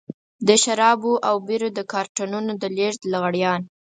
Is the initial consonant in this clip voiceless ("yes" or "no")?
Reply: no